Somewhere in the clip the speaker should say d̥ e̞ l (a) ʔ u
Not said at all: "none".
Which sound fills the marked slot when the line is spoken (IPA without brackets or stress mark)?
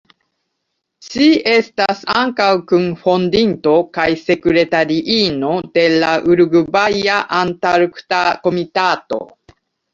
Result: a